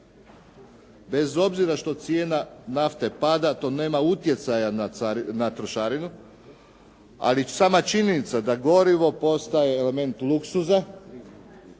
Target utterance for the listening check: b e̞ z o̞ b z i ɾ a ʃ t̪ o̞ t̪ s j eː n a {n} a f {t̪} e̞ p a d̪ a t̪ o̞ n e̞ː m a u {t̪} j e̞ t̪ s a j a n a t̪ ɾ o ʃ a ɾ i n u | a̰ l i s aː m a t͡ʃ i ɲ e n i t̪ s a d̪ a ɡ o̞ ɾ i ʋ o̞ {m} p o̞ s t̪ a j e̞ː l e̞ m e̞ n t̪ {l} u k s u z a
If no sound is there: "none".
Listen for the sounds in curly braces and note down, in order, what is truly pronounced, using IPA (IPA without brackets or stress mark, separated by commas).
n, t̪, t̪, none, l